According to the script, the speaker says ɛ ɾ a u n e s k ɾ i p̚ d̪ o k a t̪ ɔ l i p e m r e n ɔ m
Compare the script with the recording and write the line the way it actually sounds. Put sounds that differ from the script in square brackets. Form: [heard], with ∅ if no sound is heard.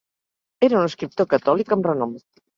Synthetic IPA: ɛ ɾ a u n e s k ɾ i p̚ [t̪] o k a t̪ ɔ l i [k] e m r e n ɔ m